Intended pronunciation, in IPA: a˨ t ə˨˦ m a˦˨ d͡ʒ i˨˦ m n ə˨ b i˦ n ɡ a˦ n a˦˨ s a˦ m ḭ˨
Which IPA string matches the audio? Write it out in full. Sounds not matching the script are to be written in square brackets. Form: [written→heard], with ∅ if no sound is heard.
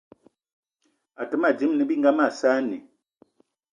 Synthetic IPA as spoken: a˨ t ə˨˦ m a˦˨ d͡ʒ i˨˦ m n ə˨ b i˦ [n→ŋ] ɡ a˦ [n→m] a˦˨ s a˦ [m→n] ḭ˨